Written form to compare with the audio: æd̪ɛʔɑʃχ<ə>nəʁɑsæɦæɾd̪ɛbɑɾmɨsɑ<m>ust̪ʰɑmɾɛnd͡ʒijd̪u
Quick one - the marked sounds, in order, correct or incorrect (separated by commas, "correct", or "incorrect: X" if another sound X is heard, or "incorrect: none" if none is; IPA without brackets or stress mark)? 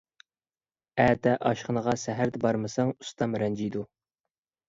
correct, incorrect: ŋ